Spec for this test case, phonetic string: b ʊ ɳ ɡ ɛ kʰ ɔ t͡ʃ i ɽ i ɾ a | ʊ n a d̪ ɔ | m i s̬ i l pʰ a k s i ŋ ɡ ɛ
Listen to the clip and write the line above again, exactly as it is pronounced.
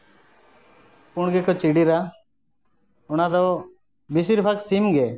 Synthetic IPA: p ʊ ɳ ɡ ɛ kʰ ɔ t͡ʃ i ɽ i ɾ a | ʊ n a d̪ ɔ | b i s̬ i ɾ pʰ a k s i m ɡ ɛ

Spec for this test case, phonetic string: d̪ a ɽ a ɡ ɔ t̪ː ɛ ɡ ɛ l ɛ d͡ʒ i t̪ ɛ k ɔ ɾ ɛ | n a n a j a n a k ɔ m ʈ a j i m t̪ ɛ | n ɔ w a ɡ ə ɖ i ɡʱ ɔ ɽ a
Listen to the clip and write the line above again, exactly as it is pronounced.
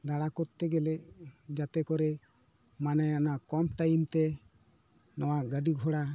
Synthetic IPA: d̪ a ɽ a k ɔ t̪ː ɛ ɡ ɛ l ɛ d͡ʒ a t̪ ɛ k ɔ ɾ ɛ | m a n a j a n a k ɔ m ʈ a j i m t̪ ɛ | n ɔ w a ɡ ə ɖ i ɡʱ ɔ ɽ a

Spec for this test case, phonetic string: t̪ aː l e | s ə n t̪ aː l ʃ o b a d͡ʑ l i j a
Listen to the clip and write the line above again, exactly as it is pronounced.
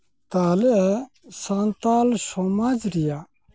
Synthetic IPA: t̪ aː l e | s a n t̪ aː l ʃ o m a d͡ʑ ɾ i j a

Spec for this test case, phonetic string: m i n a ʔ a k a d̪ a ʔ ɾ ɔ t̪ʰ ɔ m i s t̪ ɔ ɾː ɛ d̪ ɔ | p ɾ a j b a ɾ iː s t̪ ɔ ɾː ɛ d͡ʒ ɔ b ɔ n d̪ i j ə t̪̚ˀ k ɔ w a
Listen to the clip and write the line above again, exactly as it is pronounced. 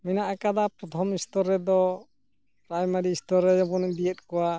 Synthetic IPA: m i n a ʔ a k a d̪ a p ɾ ɔ t̪ʰ ɔ m i s t̪ ɔ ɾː ɛ d̪ ɔ | p ɾ a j m a ɾ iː s t̪ ɔ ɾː ɛ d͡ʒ ɔ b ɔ n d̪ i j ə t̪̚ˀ k ɔ w a

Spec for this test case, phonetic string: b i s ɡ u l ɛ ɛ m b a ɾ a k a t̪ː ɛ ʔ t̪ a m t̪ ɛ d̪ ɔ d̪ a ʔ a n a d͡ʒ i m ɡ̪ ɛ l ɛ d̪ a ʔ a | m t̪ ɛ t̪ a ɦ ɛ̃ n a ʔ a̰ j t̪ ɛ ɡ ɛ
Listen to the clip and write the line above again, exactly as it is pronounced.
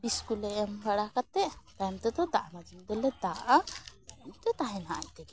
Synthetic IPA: b i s k u l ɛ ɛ m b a ɽ a k a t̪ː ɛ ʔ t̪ a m t̪ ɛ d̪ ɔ d̪ a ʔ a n a d͡ʒ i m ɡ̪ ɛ l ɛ d̪ a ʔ a | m t̪ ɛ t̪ a ɦ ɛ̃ n a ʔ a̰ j t̪ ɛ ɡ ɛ

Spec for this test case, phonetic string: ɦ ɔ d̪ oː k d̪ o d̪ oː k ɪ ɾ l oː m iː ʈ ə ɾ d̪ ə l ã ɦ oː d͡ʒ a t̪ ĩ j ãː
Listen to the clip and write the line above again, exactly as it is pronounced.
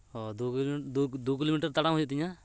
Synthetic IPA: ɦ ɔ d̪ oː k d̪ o d̪ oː k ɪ l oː m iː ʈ ə ɾ t̪ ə ɽ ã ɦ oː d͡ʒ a t̪ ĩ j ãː

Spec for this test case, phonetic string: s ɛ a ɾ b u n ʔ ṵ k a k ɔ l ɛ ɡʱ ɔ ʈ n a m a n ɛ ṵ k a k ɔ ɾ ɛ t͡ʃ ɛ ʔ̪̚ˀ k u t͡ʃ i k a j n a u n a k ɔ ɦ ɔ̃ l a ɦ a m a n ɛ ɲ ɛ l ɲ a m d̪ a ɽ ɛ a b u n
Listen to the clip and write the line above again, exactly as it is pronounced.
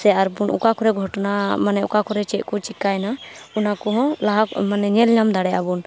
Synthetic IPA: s ɛ a ɾ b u n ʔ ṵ k a k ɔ ɾ ɛ ɡʱ ɔ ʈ n a m a n ɛ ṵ k a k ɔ ɾ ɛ t͡ʃ ɛ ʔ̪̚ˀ k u t͡ʃ i k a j n a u n a k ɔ ɦ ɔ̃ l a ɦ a m a n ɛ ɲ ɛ l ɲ a m d̪ a ɽ ɛ a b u n

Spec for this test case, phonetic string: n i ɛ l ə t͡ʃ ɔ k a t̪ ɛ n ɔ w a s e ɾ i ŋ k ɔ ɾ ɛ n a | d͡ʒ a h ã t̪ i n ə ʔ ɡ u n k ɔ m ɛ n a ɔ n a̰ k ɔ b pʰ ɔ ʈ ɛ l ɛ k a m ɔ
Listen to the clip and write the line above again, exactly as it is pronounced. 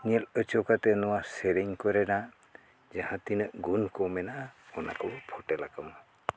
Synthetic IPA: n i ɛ l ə t͡ʃ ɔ k a t̪ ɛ n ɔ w a s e ɾ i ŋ k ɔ ɾ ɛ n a | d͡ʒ a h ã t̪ i n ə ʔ ɡ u n k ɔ m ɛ n a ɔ n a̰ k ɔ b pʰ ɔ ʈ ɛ l a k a m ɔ

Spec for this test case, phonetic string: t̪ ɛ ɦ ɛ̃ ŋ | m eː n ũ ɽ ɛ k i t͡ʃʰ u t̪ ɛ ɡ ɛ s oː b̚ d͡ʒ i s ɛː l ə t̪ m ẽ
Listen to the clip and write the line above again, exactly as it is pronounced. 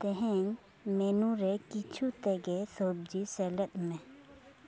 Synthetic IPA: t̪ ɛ ɦ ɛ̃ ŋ | m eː n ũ ɾ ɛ k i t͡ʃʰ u t̪ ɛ ɡ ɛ s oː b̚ d͡ʒ i s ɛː l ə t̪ m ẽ

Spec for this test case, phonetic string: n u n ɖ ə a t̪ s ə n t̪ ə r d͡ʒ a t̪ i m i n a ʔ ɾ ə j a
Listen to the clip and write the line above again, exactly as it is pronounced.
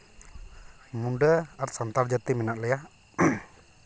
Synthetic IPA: m u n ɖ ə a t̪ s a n t̪ a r d͡ʒ a t̪ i m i n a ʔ l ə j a

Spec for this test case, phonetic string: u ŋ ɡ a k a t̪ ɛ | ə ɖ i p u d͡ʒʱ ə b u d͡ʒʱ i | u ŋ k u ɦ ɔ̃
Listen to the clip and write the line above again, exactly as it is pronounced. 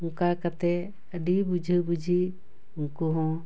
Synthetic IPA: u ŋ k a k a t̪ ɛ | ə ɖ i b u d͡ʒʱ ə b u d͡ʒʱ i | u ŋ k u ɦ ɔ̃

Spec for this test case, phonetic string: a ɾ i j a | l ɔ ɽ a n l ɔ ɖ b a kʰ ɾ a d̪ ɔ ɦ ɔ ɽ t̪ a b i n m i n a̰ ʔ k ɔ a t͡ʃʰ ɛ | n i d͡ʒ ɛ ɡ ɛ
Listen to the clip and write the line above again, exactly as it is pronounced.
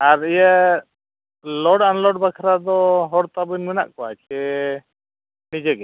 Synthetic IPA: a ɾ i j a | l ɔ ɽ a n l ɔ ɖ b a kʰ ɾ a d̪ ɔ ɦ ɔ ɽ t̪ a b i n m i n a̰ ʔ k ɔ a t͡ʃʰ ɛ | n i d͡ʒ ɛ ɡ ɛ

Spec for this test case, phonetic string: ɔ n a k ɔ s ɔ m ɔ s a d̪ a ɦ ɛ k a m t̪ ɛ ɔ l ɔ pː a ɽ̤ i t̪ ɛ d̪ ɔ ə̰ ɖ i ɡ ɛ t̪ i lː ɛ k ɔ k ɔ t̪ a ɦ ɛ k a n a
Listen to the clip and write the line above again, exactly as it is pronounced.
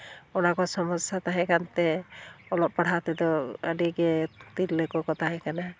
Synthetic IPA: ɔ n a k ɔ s ɔ m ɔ s a t̪ a ɦ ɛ k a n t̪ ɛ ɔ l ɔ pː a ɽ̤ a t̪ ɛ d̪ ɔ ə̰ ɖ i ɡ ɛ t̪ i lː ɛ k ɔ k ɔ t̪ a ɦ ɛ k a n a

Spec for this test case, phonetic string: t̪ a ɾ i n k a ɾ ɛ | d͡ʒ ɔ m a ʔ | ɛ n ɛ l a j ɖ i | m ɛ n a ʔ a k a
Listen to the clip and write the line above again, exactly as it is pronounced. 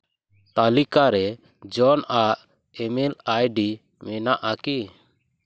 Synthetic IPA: t̪ a l i k a ɾ ɛ | d͡ʒ ɔ n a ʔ | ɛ m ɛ l a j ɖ i | m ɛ n a ʔ a k i

